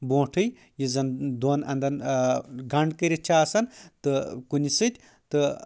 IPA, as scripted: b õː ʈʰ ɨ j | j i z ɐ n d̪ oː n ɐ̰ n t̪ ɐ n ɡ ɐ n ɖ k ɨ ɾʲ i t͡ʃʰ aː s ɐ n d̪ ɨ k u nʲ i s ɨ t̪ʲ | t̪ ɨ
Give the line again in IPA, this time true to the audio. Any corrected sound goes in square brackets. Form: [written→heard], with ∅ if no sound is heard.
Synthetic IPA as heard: b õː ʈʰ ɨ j | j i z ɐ n d̪ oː n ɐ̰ n [t̪→d̪] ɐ n ɡ ɐ [n→ɳ] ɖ k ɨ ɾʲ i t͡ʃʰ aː s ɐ n [d̪→t̪] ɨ k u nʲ i s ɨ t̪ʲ | t̪ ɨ